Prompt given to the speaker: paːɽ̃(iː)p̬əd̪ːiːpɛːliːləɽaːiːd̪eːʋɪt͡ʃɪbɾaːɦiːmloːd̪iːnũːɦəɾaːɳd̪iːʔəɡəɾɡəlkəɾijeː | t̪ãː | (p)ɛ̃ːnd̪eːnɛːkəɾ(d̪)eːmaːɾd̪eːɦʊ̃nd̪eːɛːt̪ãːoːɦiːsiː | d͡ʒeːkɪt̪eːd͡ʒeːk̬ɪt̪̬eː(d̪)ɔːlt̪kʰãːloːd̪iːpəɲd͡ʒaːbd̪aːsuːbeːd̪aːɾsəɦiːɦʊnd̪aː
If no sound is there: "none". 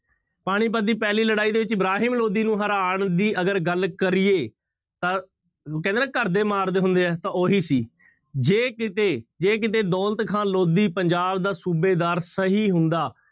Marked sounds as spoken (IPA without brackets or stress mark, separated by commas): iː, k, d̪, d̪